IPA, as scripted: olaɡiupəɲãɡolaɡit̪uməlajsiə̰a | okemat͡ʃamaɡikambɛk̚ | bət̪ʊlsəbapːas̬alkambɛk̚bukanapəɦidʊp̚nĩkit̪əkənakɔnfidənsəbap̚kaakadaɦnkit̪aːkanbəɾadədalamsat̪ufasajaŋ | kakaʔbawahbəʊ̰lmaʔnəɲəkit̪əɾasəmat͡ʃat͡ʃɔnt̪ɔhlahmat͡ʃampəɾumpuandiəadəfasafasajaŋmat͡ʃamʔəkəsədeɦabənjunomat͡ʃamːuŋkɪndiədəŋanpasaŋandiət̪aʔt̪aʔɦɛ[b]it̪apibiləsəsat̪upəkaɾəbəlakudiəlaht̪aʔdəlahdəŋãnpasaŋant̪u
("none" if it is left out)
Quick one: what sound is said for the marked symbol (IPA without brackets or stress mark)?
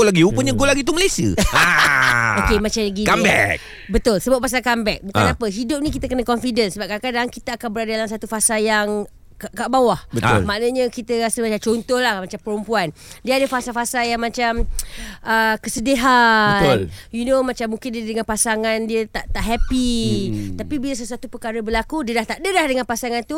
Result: p